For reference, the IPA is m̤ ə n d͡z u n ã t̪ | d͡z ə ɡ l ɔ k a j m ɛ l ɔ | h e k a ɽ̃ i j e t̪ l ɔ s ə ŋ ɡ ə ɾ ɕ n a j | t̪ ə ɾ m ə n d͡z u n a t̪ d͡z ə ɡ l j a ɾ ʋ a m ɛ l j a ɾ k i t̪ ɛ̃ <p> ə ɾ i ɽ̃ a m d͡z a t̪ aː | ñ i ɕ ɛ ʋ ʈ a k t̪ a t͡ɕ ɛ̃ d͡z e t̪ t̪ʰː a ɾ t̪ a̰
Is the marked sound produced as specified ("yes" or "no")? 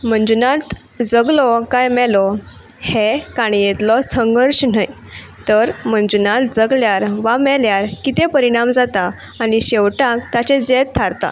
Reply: yes